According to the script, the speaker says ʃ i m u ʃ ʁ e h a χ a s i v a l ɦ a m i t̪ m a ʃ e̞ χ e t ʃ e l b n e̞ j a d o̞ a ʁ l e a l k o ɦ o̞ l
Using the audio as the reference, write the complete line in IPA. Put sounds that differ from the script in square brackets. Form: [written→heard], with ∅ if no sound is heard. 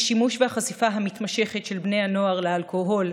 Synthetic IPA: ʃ i m u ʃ [ʁ→v] e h a χ a s i [v→f] a [l→∅] ɦ a m i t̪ m a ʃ e̞ χ e t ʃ e l b n e̞ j a [d→n] o̞ a ʁ l e a l k o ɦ o̞ l

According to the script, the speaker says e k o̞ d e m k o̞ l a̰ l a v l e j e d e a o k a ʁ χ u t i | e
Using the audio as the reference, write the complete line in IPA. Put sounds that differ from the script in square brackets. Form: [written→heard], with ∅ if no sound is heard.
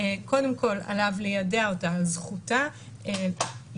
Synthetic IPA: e k o̞ d e m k o̞ l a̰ l a v l e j [e→a] d e a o [k→t] a [ʁ→z] χ u t [i→a] | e

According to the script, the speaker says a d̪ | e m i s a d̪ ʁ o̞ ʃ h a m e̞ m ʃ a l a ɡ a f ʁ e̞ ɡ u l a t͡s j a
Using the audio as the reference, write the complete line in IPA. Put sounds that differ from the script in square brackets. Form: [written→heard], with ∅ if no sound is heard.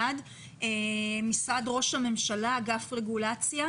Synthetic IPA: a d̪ | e m i s a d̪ ʁ o̞ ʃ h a m e̞ m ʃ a l a ɡ a f ʁ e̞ ɡ u l a t͡s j a

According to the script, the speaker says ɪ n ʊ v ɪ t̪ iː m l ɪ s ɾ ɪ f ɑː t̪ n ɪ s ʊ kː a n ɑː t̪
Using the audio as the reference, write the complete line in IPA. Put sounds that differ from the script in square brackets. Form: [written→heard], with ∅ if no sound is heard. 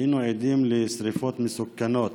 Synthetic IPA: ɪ n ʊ [v→ʕ] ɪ [t̪→d̪] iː m l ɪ s ɾ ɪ f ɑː t̪ [n→m] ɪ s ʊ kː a n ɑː t̪

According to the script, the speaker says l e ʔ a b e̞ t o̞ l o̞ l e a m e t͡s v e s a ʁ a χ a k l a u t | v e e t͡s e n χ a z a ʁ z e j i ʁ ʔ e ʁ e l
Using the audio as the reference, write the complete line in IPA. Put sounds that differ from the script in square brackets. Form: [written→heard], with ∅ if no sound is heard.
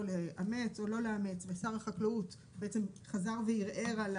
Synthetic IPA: l e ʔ a [b→m] e̞ [t→t͡s] o̞ l o̞ l e a m e t͡s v e s a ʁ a χ a k l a u t | [v→b] e e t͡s e [n→m] χ a z a ʁ [z→v] e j i ʁ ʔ e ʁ [e→a] l

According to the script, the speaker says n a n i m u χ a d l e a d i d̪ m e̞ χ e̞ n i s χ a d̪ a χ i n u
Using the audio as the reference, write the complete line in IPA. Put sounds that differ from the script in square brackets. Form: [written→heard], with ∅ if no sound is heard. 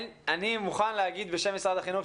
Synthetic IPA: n a n i m u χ a [d→n] l e a [d→ɡ] i d̪ [m→b] e̞ [χ→ʃ] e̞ [n→m] i s [χ→ʁ] a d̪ a χ i n u

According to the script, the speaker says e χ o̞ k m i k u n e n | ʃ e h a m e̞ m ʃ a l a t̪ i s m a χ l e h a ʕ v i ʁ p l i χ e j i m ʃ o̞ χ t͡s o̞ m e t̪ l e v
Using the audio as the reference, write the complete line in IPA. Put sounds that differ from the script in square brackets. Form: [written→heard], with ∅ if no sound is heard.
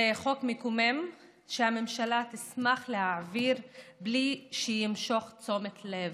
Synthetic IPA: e χ o̞ k m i k u [n→m] e [n→m] | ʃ e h a m e̞ m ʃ a l a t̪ i s m a χ l e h a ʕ v i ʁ [p→b] l i [χ→ʃ] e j i m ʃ o̞ χ t͡s o̞ m e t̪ l e v

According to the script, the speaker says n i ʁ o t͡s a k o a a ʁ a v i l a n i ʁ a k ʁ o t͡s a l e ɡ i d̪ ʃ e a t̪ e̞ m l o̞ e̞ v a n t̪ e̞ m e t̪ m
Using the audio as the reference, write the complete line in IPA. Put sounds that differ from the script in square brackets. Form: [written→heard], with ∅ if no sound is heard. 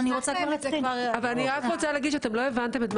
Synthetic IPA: n i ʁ o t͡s a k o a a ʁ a v [i→a] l a n i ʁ a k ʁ o t͡s a l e ɡ i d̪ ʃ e a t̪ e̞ m l o̞ e̞ v a n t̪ e̞ m e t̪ m

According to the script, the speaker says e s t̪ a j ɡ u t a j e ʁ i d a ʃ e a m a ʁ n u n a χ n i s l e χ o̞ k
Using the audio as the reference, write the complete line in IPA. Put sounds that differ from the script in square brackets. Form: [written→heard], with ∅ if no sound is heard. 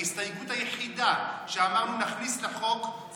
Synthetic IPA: [e→i] s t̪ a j ɡ u t a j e [ʁ→χ] i d a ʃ e a m a ʁ n u n a χ n i s l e χ o̞ k

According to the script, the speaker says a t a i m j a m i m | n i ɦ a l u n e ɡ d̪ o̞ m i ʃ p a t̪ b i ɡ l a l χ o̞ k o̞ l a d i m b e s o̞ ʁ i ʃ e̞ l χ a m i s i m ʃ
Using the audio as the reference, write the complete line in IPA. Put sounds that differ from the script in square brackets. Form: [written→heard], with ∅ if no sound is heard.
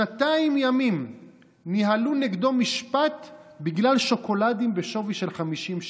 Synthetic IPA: a t a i m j a m i m | n i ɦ a l u n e ɡ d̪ o̞ m i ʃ p a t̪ b i ɡ l a l [χ→ʃ] o̞ k o̞ l a d i m b e [s→ʃ] o̞ [ʁ→v] i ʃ e̞ l χ a m i [s→ʃ] i m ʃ

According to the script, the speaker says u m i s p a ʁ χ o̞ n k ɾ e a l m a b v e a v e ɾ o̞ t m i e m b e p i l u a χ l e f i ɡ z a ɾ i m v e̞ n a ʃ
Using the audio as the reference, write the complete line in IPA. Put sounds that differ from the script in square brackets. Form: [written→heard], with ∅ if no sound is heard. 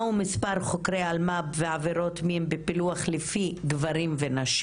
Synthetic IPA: u m i s p a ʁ χ o̞ [n→∅] k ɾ e a l m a b v e a v e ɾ o̞ t m i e m b e p i l u a χ l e f i ɡ [z→v] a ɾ i m v e̞ n a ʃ

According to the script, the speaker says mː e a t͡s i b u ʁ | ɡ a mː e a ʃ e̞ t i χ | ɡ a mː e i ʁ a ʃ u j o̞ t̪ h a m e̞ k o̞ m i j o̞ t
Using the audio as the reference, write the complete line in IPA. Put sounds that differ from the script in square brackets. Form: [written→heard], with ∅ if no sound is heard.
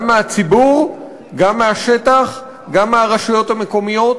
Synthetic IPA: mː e a t͡s i b u ʁ | ɡ a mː e a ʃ e̞ t [i→a] χ | ɡ a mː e [i→a] ʁ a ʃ u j o̞ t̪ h a m e̞ k o̞ m i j o̞ t

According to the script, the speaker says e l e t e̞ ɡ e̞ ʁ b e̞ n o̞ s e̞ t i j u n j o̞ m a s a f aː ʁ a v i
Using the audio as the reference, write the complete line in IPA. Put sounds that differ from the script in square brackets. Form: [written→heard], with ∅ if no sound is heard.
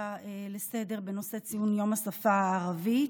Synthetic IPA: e l e [t→s] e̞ [ɡ→d] e̞ ʁ b e̞ n o̞ s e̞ [t→t͡s] i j u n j o̞ m a s a f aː ʁ a v i

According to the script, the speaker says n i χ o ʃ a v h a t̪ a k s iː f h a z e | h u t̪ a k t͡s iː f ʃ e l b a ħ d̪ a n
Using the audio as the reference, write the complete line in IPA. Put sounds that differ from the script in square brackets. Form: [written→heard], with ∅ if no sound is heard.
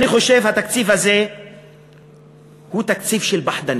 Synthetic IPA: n i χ o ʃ [a→e] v h a t̪ a k [s→t͡s] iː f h a z e | h u t̪ a k t͡s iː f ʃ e l b a ħ d̪ a n

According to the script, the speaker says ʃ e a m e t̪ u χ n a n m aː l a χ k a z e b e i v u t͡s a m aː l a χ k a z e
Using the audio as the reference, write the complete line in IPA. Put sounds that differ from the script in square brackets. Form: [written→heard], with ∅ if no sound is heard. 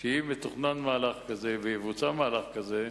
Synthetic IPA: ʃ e [a→i] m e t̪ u χ n a n m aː l a χ k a z e [b→v] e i v u t͡s a m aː l a χ k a z e

